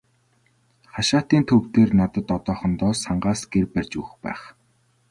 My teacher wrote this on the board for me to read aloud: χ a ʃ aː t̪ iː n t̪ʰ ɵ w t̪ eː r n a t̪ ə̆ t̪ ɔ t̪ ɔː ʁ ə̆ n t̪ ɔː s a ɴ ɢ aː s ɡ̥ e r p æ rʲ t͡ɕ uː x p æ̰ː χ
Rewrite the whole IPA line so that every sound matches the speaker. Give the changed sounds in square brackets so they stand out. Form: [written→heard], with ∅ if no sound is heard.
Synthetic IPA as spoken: χ a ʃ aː t̪ iː n t̪ʰ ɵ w t̪ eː r n a t̪ ə̆ t̪ ɔ t̪ ɔː [ʁ→χ] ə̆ n t̪ ɔː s a ɴ ɢ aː s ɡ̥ e r p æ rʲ t͡ɕ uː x p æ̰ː χ